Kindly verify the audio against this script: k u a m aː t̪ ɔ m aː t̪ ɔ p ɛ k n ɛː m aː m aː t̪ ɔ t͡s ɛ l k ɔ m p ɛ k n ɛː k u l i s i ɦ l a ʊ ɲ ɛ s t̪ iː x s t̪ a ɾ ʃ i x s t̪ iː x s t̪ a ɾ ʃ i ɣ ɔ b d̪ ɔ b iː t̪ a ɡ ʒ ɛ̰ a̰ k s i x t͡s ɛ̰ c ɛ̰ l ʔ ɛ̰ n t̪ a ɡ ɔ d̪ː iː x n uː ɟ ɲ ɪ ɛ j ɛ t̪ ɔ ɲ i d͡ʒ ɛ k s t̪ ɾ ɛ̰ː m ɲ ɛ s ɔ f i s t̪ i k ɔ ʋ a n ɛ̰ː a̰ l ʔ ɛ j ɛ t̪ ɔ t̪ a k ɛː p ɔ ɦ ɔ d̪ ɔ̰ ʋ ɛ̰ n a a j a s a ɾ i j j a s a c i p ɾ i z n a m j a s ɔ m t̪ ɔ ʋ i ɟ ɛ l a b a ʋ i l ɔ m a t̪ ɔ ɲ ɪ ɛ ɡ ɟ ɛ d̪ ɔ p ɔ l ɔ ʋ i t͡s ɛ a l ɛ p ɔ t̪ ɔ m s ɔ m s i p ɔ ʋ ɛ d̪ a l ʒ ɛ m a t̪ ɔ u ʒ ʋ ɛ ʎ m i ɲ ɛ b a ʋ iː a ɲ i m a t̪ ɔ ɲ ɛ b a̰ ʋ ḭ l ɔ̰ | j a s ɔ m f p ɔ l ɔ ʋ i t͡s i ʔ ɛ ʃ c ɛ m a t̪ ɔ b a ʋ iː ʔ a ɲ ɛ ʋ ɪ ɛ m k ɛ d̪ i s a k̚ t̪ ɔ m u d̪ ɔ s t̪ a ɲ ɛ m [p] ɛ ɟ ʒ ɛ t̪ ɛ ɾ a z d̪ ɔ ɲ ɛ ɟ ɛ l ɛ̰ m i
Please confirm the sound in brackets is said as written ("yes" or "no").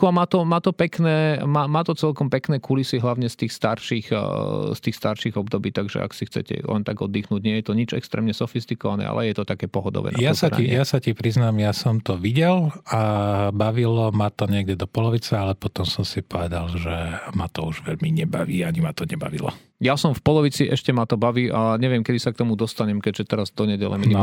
no